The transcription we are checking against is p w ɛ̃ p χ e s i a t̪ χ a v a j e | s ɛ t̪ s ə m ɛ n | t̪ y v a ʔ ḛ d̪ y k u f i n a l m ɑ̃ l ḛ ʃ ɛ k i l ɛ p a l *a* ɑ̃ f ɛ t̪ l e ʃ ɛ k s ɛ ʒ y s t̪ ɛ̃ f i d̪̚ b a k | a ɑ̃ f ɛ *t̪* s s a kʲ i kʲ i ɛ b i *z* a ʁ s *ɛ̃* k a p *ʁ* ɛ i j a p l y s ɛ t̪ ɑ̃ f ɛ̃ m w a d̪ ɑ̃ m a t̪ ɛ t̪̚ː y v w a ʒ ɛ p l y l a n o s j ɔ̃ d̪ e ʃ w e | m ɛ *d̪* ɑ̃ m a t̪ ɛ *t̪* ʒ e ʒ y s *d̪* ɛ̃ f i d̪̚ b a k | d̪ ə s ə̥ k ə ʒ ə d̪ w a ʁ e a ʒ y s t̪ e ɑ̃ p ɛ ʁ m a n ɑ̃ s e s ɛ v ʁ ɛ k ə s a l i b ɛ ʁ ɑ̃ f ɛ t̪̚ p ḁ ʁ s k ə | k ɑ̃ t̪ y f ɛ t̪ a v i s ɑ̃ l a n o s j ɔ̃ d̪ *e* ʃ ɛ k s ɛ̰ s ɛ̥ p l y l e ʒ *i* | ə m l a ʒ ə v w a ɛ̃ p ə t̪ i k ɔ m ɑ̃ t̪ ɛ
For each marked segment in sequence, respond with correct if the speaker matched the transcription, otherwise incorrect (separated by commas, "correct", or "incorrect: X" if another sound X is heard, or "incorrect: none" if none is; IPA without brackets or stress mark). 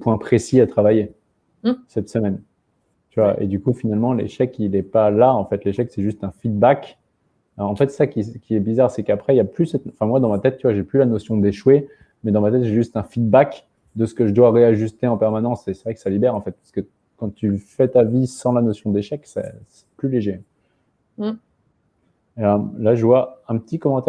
correct, correct, correct, incorrect: ɛ, incorrect: χ, correct, correct, incorrect: t̪, correct, incorrect: e